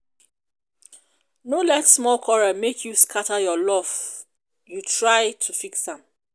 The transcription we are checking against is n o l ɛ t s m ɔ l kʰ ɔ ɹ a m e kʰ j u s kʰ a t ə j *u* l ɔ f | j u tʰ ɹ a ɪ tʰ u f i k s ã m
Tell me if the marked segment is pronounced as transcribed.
no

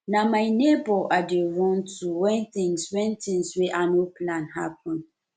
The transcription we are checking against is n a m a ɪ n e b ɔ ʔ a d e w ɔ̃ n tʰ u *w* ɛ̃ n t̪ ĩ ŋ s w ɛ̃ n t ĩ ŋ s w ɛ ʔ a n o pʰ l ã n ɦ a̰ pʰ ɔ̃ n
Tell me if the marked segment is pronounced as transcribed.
yes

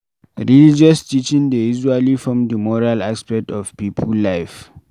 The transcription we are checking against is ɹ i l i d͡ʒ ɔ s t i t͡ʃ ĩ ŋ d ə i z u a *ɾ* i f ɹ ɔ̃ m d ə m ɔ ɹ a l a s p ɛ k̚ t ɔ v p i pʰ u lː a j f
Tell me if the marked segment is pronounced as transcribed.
no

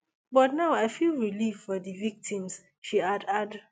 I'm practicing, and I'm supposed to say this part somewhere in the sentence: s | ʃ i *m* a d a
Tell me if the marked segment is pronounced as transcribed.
no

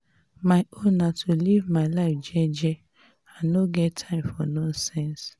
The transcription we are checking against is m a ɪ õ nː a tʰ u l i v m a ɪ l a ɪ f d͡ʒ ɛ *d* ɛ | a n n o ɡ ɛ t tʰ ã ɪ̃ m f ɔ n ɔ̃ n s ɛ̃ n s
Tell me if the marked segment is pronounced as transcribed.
no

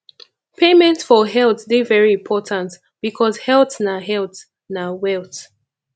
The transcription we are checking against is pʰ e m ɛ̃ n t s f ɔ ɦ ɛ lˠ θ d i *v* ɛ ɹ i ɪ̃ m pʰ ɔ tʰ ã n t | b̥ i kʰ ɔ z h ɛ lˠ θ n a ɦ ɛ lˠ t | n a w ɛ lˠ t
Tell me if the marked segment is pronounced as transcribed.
yes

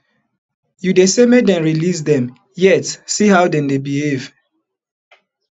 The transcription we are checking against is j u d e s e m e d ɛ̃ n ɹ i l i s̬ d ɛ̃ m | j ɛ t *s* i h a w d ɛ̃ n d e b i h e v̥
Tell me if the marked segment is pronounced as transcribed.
yes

